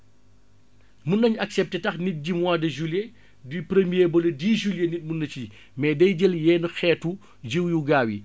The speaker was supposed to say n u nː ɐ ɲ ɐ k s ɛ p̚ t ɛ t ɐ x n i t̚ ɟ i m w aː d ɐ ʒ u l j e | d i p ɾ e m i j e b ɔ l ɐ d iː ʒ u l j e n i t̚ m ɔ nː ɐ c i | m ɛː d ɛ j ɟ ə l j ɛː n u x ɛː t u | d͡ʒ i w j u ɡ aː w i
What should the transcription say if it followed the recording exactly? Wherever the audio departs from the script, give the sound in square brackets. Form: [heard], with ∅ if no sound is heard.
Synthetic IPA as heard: [m] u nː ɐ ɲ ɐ k s ɛ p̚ t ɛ t ɐ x n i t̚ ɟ i m w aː d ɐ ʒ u l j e | d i p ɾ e m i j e b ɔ l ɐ d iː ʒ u l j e n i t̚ m [u] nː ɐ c i | m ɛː d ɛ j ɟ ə l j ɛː n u x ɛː t u | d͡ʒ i w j u ɡ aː w i